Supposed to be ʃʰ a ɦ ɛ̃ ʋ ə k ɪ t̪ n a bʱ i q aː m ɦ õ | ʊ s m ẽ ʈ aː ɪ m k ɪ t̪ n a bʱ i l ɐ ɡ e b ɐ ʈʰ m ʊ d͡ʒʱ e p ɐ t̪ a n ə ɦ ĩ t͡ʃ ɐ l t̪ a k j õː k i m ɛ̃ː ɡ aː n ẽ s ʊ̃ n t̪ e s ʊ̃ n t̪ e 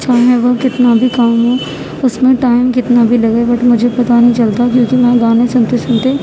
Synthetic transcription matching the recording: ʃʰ a ɦ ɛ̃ ʋ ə k ɪ t̪ n a bʱ i k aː m ɦ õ | ʊ s m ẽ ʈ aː ɪ m k ɪ t̪ n a bʱ i l ɐ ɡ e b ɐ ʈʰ m ʊ d͡ʒʱ e p ɐ t̪ a n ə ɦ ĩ t͡ʃ ɐ l t̪ a k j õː k i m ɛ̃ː ɡ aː n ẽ s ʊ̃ n t̪ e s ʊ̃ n t̪ e